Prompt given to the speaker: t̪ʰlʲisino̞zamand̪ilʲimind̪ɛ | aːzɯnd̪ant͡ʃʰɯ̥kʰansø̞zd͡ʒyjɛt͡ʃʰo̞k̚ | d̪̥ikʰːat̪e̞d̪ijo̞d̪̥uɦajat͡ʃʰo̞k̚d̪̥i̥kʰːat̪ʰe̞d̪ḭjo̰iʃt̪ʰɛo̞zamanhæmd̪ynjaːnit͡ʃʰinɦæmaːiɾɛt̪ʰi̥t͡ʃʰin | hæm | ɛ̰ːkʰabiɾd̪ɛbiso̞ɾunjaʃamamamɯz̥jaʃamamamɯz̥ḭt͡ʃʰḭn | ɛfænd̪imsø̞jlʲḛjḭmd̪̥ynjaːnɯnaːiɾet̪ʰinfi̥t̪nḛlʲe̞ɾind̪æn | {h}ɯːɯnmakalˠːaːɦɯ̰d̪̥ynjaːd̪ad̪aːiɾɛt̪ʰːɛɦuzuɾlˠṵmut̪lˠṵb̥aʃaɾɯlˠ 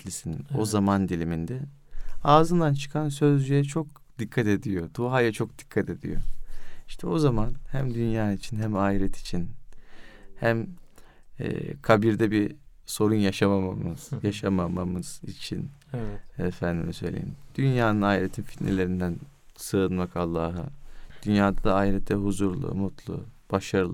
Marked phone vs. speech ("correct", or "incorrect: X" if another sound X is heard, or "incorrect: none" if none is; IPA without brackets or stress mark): incorrect: s